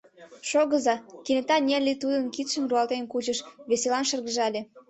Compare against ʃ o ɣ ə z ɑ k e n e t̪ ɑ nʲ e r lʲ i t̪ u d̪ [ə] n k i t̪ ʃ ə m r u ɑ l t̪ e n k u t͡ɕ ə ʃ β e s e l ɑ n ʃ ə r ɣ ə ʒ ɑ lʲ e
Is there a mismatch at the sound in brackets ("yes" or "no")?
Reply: no